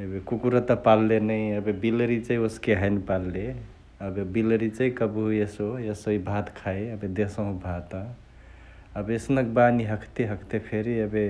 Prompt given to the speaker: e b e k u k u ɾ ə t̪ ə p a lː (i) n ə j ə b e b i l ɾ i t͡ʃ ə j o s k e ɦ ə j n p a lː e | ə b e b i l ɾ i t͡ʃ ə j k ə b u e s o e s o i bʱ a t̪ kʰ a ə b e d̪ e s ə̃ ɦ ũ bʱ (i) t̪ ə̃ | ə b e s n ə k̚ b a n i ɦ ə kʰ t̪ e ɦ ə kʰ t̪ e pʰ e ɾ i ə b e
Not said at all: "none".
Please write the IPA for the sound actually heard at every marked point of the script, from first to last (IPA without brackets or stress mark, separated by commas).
e, a